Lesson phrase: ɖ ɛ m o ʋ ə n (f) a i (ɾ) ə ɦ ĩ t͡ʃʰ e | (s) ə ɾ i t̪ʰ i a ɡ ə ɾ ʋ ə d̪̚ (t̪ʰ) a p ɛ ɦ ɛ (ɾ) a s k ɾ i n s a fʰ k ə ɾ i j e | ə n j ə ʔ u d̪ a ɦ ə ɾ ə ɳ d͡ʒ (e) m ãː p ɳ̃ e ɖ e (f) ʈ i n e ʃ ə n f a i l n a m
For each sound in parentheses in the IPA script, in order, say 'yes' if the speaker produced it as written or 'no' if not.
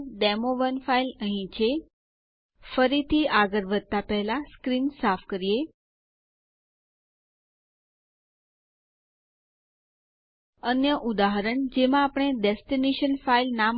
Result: yes, no, no, no, no, yes, no

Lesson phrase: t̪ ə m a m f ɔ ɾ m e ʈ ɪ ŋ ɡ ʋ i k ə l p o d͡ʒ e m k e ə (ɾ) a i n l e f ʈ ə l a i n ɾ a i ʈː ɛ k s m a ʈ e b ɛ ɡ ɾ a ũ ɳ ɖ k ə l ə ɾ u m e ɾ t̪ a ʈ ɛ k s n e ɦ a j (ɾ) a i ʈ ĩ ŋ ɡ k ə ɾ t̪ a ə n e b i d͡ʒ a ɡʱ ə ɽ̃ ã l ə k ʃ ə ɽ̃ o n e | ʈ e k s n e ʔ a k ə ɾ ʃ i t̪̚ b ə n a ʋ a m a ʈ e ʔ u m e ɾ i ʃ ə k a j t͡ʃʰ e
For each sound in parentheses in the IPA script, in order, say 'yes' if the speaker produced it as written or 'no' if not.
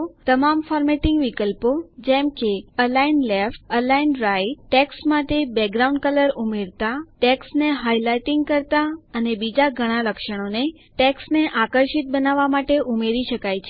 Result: no, no

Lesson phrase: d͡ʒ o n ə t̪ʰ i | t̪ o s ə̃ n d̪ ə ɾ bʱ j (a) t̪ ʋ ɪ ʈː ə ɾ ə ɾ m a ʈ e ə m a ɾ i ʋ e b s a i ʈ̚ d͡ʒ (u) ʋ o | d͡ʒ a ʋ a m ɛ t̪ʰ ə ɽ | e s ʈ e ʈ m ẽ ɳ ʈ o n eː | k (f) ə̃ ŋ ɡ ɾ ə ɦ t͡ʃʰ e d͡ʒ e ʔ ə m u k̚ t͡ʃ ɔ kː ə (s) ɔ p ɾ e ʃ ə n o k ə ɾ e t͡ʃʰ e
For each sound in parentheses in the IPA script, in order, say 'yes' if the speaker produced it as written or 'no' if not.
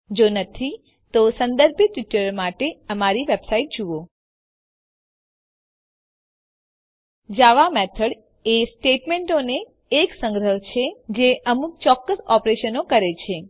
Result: no, yes, no, yes

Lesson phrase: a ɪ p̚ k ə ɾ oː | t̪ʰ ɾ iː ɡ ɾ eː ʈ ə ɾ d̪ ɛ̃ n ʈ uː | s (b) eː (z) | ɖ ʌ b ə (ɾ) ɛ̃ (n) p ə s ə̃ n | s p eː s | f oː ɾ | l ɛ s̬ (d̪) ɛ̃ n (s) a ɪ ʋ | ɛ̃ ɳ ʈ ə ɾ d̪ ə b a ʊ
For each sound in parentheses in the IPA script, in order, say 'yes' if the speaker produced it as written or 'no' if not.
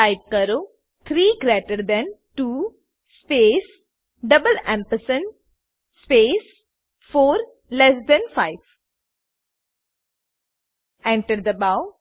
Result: no, no, no, no, yes, no

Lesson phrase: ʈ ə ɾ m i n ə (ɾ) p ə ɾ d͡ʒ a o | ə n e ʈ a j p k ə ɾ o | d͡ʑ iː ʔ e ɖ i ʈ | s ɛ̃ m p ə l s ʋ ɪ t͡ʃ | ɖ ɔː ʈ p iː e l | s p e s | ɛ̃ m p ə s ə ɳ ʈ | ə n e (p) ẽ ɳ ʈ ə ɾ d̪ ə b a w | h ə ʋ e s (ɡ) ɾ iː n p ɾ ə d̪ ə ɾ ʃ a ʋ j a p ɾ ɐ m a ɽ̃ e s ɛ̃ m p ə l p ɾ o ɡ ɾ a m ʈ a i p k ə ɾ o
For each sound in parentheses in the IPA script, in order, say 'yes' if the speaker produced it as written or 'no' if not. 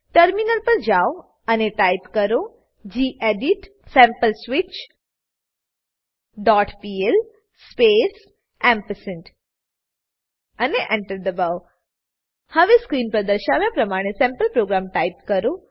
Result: no, no, no

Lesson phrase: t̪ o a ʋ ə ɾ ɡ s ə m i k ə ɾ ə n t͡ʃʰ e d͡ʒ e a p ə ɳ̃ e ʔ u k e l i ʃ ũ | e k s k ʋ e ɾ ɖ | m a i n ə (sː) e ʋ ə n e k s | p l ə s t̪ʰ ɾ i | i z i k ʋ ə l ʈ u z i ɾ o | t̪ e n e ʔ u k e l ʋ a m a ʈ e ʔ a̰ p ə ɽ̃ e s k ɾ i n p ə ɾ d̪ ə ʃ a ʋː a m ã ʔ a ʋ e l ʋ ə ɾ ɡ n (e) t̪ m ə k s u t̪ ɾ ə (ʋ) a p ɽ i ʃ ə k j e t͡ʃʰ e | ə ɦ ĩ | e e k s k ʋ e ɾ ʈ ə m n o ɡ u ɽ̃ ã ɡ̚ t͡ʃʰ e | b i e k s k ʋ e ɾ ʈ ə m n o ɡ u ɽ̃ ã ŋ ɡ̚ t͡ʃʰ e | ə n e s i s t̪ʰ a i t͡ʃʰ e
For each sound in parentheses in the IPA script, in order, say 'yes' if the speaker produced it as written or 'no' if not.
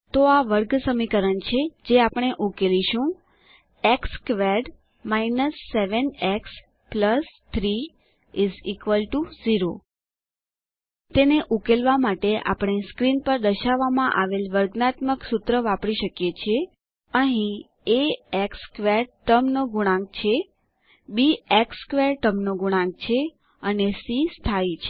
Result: yes, no, yes

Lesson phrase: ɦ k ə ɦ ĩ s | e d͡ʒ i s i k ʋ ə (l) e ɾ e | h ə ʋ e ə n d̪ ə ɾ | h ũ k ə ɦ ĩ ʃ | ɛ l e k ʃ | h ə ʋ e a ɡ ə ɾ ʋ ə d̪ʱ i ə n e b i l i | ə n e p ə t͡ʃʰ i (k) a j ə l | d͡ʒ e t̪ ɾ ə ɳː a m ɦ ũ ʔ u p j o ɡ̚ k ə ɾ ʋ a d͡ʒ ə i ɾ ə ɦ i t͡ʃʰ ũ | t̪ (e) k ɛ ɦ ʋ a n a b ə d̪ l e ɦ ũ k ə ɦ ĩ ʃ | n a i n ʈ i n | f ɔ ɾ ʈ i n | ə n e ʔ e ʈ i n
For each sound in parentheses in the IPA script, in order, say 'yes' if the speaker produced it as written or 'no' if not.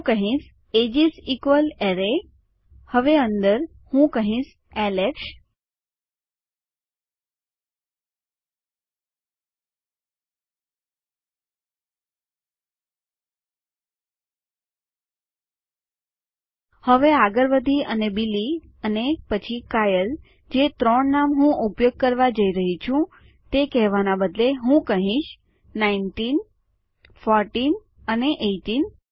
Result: yes, yes, yes

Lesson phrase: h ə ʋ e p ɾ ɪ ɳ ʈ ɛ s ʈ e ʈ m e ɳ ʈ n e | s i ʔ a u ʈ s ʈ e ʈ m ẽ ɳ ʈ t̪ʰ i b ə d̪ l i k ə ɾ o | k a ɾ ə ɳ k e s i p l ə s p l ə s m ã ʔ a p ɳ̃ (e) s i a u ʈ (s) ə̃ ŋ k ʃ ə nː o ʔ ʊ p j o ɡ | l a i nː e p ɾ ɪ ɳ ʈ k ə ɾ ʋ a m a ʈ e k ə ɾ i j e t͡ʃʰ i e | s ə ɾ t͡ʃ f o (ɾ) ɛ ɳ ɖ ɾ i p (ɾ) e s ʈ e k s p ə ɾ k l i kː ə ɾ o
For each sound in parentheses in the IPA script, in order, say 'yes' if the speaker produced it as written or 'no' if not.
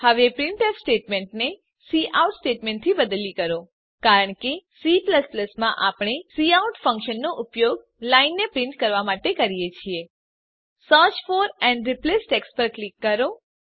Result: yes, no, yes, no

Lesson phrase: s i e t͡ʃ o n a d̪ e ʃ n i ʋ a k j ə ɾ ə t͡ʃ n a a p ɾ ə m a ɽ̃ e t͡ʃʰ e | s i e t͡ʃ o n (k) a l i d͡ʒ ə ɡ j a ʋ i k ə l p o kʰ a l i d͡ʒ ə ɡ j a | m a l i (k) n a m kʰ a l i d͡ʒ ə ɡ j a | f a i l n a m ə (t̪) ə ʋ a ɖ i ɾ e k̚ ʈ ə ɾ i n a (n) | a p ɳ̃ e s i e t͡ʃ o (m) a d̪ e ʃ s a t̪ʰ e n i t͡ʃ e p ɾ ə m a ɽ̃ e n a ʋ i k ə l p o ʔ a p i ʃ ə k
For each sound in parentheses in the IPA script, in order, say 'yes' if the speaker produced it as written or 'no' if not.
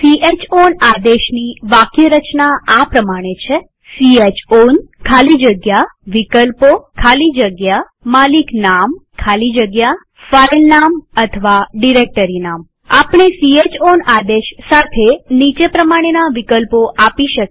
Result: no, yes, no, no, no

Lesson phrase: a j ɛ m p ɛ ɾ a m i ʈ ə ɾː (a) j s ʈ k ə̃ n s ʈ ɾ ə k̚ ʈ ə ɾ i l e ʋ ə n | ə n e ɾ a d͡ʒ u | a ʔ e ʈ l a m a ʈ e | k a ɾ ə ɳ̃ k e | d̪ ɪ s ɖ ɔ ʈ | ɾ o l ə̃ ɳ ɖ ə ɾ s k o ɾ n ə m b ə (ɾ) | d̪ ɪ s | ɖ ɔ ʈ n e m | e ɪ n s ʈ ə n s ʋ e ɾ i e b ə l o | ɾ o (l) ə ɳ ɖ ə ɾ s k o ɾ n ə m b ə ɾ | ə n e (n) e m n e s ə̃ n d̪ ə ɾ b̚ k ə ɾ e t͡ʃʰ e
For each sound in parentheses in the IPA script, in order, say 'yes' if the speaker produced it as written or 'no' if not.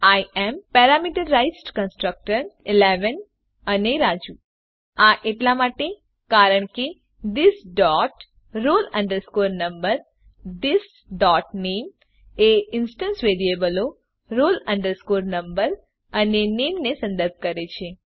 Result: yes, yes, yes, yes

